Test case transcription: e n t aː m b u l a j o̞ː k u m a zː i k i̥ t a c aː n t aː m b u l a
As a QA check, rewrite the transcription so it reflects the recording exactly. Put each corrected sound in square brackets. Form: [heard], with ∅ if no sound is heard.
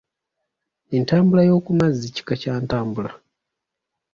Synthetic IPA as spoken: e n t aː m b u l a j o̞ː k u m a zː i [c] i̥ [k] a c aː n t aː m b u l a